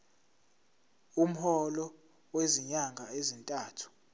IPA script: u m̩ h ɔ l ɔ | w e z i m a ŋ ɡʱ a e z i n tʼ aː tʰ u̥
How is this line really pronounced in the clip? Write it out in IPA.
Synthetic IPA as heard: u m̩ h ɔ l ɔ | w e z i ɲ a ŋ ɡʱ a e z i n tʼ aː tʰ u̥